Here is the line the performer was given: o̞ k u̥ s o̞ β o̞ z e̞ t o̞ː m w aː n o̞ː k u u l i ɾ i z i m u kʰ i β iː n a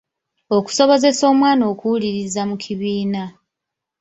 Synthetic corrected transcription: o̞ k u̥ s o̞ β o̞ z e̞ s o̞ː m w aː n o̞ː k u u l i ɾ i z a m u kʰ i β iː n a